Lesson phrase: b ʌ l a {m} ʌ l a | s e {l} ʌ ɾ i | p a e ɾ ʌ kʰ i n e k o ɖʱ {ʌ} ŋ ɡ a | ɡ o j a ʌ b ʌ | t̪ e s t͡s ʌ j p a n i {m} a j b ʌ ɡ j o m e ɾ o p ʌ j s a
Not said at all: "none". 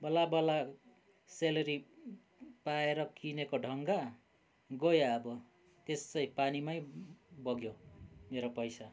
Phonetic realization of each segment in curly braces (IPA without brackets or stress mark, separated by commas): b, l, ʌ, m